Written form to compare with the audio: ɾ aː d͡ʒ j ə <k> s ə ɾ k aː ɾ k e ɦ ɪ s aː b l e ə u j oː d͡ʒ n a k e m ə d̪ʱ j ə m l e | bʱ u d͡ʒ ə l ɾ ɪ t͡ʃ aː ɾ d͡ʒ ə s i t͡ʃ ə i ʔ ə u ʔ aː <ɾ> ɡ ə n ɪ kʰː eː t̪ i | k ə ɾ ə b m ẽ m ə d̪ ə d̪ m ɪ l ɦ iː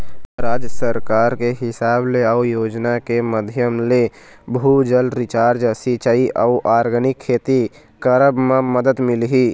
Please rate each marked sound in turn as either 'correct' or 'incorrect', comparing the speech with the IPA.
incorrect: none, correct

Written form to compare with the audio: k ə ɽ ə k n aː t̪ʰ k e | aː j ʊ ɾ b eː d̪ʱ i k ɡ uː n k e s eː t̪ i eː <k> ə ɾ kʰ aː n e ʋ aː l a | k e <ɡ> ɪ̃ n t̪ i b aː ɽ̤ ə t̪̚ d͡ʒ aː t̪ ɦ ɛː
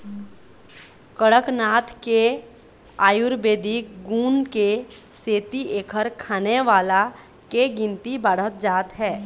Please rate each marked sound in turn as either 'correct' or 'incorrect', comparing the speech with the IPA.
incorrect: kʰ, correct

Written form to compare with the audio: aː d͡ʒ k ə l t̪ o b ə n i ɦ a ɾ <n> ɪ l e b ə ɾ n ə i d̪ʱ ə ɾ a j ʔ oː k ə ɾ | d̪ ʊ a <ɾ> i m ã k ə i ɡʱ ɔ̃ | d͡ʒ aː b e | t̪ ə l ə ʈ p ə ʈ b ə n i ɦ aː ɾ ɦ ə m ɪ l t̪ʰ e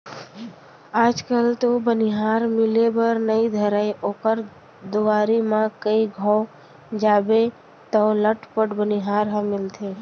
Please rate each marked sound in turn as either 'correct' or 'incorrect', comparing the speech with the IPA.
incorrect: m, correct

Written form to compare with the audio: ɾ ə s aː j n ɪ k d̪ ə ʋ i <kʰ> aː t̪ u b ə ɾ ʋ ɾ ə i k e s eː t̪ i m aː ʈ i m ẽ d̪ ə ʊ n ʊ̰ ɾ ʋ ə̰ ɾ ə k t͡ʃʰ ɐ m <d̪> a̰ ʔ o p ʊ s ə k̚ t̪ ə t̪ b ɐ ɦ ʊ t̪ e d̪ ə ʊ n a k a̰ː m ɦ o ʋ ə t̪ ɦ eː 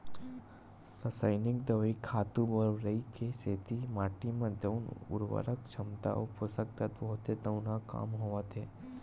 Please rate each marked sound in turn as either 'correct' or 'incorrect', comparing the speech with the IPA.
correct, incorrect: t̪

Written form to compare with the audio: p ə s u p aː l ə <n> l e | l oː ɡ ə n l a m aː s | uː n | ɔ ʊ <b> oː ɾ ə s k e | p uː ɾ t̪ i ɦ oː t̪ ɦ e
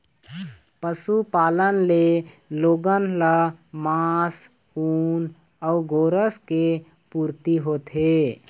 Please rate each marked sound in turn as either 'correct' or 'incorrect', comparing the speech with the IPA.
correct, incorrect: ɡ

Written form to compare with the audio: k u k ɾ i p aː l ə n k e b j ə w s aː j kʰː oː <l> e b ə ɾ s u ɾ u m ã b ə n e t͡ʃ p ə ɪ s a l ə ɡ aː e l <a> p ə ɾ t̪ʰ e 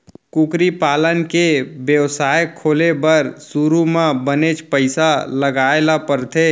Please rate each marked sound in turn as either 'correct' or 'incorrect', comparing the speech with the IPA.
correct, correct

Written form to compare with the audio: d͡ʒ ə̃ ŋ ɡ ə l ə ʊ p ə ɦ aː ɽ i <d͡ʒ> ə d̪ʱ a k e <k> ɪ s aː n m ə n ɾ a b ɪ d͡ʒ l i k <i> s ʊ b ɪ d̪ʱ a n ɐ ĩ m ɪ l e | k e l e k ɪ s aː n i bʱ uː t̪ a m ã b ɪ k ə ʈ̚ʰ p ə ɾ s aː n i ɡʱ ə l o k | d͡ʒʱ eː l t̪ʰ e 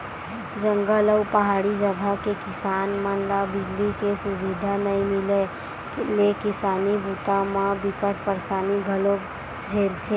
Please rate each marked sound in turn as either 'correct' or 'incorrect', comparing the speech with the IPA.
correct, correct, incorrect: e

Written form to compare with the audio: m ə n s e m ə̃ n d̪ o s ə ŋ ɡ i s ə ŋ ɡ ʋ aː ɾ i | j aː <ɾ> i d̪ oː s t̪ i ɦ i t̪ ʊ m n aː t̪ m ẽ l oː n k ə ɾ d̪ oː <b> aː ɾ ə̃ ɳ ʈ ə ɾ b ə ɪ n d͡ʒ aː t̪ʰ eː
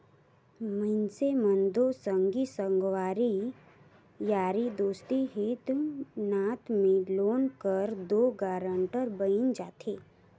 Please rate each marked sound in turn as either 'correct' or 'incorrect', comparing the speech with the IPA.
correct, incorrect: ɡ

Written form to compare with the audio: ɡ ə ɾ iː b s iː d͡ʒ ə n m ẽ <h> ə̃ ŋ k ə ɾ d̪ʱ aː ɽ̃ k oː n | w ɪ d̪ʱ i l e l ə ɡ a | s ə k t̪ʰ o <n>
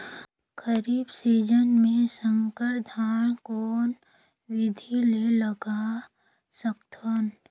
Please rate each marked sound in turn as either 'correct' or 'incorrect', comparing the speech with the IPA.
incorrect: s, correct

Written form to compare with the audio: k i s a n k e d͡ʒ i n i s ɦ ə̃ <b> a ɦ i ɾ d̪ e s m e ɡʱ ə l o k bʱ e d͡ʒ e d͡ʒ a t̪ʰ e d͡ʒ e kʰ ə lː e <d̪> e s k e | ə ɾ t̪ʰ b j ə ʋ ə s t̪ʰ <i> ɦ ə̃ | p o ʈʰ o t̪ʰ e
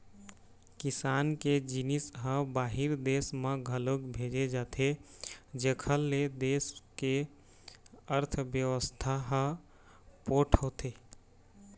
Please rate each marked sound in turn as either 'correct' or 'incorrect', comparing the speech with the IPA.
correct, correct, incorrect: a

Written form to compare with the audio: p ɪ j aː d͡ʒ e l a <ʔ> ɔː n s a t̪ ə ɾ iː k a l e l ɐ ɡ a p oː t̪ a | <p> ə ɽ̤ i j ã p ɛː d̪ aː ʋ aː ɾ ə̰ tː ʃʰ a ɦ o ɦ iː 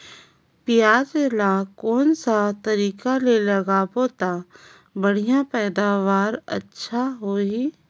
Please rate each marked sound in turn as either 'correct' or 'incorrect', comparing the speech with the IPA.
incorrect: k, incorrect: b

